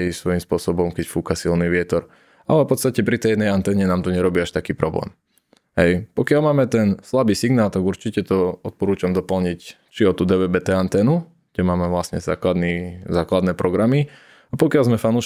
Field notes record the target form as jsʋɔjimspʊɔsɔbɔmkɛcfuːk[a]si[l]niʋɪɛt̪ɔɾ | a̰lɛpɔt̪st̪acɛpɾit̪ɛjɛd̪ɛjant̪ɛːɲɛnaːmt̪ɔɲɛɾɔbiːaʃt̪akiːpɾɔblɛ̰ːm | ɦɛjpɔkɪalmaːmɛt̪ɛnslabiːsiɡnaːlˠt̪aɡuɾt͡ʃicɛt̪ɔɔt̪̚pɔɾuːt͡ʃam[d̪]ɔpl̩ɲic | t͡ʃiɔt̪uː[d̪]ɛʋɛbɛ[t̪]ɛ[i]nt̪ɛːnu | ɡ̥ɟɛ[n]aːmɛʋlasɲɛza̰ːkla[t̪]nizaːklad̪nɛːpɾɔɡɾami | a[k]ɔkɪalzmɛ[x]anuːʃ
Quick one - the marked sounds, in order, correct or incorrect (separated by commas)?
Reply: correct, correct, correct, correct, correct, incorrect, incorrect, incorrect, incorrect, incorrect